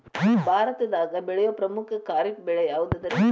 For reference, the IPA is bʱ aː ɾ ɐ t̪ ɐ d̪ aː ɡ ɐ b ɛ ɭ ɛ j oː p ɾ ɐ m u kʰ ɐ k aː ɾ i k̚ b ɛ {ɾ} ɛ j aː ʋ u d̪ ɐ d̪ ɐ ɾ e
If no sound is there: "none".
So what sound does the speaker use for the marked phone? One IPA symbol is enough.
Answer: ɭ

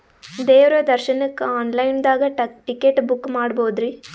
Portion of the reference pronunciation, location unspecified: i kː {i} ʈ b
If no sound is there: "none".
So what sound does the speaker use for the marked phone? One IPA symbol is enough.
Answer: e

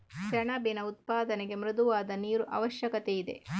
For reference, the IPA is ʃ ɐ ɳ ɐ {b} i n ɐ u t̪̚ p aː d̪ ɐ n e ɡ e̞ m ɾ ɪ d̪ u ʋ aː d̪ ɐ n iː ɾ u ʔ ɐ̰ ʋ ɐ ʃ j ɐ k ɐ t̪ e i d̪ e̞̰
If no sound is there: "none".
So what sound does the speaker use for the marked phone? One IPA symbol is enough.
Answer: b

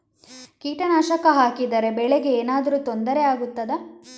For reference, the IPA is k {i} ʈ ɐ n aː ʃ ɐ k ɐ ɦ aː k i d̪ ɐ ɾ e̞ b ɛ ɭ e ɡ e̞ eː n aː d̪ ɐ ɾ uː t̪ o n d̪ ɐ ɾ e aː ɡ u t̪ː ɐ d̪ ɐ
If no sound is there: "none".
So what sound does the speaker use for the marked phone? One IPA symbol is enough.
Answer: iː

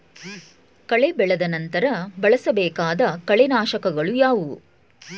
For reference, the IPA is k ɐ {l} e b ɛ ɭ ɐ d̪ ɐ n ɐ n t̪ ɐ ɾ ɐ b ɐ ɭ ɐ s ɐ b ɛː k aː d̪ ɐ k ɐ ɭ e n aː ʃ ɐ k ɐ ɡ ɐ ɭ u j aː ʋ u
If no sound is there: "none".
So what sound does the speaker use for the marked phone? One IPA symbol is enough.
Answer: ɭ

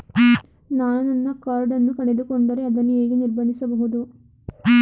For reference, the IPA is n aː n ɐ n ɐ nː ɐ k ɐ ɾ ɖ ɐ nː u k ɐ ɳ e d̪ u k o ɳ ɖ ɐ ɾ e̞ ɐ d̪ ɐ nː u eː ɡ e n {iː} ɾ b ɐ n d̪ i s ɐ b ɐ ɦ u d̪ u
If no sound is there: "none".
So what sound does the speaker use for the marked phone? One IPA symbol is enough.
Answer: i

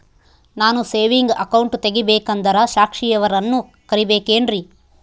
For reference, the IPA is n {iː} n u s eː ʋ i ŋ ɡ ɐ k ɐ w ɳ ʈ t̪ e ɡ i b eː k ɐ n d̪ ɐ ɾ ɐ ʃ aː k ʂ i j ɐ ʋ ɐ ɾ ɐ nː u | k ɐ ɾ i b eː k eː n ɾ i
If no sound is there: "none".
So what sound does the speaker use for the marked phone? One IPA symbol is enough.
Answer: aː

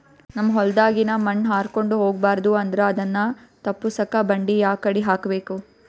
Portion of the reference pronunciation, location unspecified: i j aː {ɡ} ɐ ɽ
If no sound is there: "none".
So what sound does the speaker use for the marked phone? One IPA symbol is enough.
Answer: k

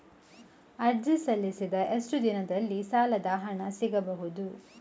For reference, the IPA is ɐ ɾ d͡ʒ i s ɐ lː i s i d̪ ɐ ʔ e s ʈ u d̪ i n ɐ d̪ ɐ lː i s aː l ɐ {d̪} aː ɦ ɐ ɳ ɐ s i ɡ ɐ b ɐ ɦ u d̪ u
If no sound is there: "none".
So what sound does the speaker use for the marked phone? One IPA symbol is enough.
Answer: d̪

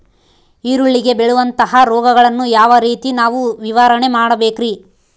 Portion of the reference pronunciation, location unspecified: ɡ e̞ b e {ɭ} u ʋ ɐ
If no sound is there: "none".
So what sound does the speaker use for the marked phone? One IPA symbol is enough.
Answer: ɭ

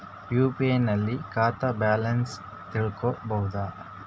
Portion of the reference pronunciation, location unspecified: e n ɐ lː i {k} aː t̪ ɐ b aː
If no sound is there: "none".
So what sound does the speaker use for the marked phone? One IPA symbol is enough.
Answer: k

